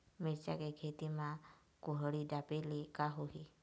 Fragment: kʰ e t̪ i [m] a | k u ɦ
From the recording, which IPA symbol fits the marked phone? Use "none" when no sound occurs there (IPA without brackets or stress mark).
m